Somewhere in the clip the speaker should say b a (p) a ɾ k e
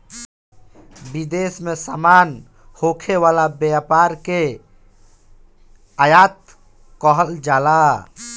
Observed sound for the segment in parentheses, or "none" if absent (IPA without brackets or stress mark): p